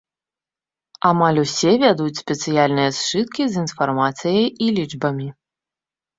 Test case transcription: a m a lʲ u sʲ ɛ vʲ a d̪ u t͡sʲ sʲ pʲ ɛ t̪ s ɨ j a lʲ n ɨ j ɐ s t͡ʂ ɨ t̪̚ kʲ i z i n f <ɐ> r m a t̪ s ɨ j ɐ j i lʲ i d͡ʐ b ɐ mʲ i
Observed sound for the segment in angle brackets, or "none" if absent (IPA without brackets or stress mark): a